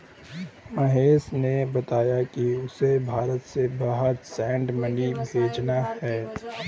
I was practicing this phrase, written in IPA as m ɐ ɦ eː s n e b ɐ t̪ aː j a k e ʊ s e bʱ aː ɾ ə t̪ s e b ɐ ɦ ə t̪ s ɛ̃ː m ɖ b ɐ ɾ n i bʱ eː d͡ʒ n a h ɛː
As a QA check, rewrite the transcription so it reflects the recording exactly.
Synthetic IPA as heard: m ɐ ɦ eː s n e b ɐ t̪ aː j a k i ʊ s e bʱ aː ɾ ə t̪ s e b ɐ ɦ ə t̪ s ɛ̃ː ɳ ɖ m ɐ n i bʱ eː d͡ʒ n a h ɛː